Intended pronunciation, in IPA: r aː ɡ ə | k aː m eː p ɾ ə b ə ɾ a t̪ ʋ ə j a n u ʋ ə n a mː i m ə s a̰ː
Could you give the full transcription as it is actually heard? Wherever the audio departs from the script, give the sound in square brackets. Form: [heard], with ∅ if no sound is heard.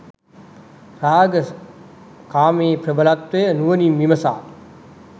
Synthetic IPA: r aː ɡ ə | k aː m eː p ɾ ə b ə [l] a t̪ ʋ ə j [ə] n u ʋ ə n [i] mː i m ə s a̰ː